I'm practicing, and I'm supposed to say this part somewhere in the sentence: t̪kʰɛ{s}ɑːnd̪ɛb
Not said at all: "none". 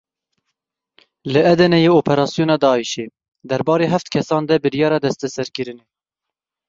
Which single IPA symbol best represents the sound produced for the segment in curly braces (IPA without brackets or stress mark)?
s